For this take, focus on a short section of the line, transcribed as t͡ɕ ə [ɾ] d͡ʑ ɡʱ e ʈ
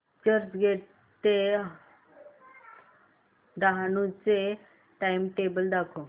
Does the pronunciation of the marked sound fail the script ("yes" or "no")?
no